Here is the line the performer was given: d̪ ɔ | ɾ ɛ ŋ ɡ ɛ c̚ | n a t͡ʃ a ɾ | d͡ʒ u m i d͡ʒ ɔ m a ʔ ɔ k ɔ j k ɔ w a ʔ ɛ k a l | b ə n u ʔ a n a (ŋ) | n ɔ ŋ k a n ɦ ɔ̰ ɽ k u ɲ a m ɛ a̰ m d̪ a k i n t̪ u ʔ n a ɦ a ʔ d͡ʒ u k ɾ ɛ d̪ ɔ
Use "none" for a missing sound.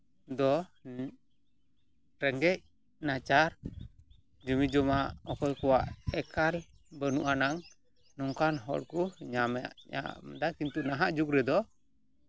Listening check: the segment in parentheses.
ŋ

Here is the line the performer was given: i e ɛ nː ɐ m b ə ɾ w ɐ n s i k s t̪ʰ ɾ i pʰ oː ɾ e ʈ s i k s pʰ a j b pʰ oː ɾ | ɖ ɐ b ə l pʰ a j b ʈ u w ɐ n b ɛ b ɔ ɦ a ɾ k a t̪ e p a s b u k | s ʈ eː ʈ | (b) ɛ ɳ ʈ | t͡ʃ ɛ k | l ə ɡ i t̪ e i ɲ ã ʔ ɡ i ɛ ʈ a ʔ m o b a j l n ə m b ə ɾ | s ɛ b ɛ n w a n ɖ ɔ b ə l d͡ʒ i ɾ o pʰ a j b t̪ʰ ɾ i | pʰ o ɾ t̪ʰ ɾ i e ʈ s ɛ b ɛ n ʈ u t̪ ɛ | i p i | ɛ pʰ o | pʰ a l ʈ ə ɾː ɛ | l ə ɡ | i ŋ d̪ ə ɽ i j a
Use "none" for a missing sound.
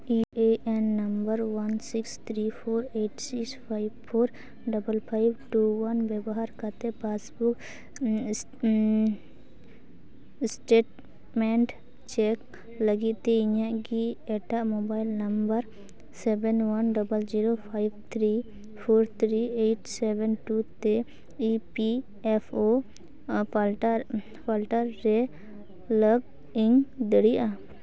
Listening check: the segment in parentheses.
m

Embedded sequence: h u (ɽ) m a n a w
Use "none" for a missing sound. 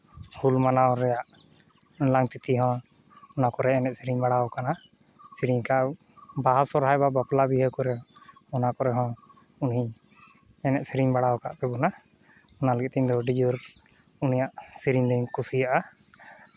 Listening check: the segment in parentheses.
l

